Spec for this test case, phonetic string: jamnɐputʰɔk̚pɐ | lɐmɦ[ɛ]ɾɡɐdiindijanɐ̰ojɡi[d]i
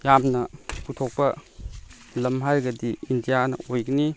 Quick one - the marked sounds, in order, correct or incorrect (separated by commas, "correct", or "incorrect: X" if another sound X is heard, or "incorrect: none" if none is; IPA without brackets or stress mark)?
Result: incorrect: a, incorrect: n